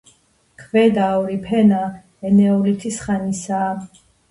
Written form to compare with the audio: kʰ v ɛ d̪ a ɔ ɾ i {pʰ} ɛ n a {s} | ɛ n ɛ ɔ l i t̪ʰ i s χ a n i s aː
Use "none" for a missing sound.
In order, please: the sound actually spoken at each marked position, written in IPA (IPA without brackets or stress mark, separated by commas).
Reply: pʰ, none